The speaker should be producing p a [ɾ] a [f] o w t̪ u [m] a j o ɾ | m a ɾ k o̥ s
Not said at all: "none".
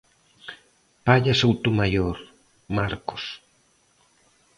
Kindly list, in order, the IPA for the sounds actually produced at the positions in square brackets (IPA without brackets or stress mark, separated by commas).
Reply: ʎ, s, m